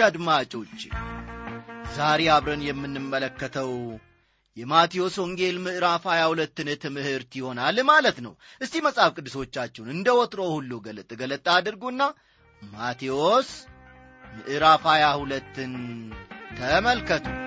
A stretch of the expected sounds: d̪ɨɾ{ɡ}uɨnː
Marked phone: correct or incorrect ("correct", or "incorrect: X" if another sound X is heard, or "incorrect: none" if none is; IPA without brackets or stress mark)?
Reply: correct